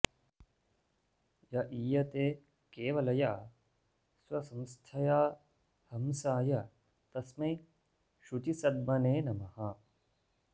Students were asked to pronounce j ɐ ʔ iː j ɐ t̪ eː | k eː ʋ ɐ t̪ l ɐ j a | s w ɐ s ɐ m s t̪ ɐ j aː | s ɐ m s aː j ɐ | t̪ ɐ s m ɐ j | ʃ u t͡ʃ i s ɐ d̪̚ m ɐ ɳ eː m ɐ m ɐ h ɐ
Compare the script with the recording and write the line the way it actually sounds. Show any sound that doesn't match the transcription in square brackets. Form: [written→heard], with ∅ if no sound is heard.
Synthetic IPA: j ɐ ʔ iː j ɐ t̪ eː | k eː ʋ ɐ [t̪→∅] l ɐ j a | s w ɐ s ɐ m s [t̪→t̪ʰ] ɐ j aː | [s→h] ɐ m s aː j ɐ | t̪ ɐ s m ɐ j | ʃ u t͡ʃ i s ɐ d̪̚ m ɐ [ɳ→n] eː [m→n] ɐ m ɐ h ɐ